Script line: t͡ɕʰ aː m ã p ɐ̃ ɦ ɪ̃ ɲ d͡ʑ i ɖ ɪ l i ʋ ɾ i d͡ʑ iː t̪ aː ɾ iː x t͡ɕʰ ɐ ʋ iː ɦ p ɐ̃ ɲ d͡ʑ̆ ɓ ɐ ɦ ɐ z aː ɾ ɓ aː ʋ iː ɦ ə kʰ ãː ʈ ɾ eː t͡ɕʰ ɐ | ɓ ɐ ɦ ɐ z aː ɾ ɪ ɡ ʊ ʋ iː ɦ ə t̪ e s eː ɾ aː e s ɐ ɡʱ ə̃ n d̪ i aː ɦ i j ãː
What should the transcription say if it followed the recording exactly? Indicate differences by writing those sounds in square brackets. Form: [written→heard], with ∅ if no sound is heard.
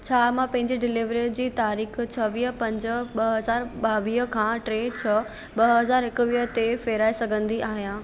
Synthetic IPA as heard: t͡ɕʰ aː m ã p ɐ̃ ɦ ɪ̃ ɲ d͡ʑ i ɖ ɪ l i ʋ ɾ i d͡ʑ iː t̪ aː ɾ iː x t͡ɕʰ ɐ ʋ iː ɦ p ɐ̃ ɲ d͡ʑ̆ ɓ ɐ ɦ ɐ z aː ɾ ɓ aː ʋ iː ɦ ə kʰ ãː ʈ ɾ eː t͡ɕʰ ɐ | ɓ ɐ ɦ ɐ z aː ɾ ɪ [ɡ→k] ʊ ʋ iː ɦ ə t̪ e [s→f] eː ɾ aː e s ɐ ɡʱ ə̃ n d̪ i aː ɦ i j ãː